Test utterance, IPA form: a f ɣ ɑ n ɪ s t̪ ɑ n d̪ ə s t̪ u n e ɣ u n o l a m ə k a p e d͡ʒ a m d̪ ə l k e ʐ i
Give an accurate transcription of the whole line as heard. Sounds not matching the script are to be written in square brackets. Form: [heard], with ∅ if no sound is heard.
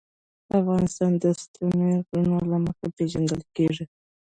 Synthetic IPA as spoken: a f ɣ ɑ n ɪ s t̪ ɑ n d̪ ə s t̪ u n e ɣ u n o l a m ə [x] a p e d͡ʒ a [n] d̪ ə l k e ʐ i